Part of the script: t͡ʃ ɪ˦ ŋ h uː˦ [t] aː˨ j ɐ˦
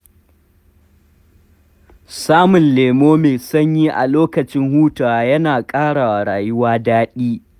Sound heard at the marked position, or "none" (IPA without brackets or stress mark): t